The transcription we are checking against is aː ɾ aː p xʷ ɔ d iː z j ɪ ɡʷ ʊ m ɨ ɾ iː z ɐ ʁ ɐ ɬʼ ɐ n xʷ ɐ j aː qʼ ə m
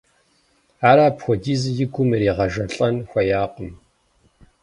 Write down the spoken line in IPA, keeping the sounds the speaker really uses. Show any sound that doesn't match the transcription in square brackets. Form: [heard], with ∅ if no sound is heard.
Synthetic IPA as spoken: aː ɾ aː p xʷ ɔ d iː z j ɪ ɡʷ ʊ m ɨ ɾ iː [ʁ] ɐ [ʒ] ɐ ɬʼ ɐ n xʷ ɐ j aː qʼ ə m

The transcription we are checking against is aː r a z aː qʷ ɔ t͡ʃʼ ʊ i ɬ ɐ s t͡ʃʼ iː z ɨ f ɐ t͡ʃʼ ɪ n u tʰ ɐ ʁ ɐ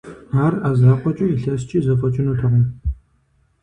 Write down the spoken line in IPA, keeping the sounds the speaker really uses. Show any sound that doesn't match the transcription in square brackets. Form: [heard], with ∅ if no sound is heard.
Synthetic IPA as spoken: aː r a z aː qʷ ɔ t͡ʃʼ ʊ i ɬ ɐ s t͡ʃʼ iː z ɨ f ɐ t͡ʃʼ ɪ n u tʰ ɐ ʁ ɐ

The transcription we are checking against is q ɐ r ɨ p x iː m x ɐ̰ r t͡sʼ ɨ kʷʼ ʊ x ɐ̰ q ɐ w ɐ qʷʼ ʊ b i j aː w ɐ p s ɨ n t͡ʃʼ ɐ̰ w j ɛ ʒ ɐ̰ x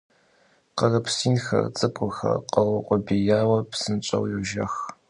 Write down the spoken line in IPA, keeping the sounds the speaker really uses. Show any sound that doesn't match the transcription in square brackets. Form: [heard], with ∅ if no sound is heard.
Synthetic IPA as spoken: q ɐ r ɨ p [s] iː [n] x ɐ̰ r t͡sʼ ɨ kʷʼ ʊ x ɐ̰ q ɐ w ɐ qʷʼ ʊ b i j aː w ɐ p s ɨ n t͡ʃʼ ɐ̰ w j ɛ ʒ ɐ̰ x

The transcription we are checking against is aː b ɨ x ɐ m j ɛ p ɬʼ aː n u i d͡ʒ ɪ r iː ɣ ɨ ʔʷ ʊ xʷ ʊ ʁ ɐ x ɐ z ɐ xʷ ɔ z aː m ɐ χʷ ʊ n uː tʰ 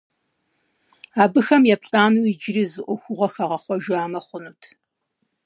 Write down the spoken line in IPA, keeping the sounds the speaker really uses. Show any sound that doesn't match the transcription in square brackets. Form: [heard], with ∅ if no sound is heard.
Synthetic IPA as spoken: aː b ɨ x ɐ m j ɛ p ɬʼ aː n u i d͡ʒ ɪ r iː [z] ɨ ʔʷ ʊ xʷ ʊ ʁ ɐ x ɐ [ʁ] ɐ [χʷ] ɔ [ʒ] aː m ɐ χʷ ʊ n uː tʰ

